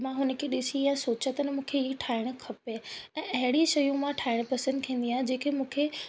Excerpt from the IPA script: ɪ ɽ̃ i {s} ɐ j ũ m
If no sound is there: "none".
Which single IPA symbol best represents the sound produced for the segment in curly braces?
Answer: ʃ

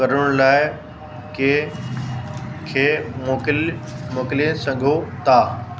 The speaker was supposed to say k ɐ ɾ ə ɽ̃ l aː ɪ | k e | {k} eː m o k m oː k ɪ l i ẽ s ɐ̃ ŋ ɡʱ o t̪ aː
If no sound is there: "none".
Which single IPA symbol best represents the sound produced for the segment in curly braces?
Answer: kʰ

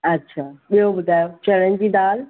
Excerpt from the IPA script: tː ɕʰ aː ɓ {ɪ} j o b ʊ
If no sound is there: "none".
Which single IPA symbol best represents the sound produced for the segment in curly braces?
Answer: i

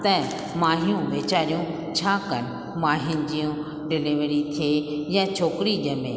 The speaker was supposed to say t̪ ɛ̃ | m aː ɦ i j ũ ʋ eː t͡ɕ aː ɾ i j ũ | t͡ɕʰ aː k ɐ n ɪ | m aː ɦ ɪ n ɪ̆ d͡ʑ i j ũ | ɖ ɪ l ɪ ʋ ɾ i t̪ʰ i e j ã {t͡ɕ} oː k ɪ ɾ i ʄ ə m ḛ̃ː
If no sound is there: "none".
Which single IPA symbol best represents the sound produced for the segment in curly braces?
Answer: t͡ɕʰ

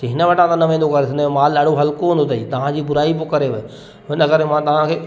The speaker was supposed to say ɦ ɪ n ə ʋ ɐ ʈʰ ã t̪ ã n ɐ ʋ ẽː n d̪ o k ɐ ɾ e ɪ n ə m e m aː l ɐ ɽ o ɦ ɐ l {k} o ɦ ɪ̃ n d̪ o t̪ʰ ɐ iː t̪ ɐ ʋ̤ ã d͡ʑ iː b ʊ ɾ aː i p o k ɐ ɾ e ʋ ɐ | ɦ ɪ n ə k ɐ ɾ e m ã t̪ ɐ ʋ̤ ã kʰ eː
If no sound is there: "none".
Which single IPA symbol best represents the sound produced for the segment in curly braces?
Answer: k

